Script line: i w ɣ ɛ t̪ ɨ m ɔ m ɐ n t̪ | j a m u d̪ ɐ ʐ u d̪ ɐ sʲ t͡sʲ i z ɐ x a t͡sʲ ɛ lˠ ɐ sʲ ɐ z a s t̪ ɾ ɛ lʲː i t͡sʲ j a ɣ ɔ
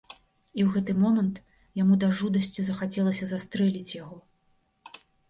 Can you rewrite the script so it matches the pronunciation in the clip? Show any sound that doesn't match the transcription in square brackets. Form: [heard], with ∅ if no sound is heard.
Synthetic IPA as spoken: i w ɣ ɛ t̪ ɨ m ɔ m ɐ n t̪ | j a m u d̪ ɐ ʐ u d̪ ɐ sʲ t͡sʲ i z ɐ x a t͡sʲ ɛ lˠ ɐ sʲ ɐ z a s t̪ ɾ ɛ [lʲ] i t͡sʲ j a ɣ ɔ